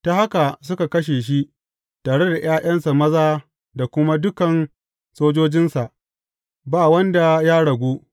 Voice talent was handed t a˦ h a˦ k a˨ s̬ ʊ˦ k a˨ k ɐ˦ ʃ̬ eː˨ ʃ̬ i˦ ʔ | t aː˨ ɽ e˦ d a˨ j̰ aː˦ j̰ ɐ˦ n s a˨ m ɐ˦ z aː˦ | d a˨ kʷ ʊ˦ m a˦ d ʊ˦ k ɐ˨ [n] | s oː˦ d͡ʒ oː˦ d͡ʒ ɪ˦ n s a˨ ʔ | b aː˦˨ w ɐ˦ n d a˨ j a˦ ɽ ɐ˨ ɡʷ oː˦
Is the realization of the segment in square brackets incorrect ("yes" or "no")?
no